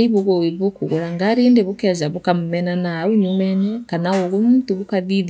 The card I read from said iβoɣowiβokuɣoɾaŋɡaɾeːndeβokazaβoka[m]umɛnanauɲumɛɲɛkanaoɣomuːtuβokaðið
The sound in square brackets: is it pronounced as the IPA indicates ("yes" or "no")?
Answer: yes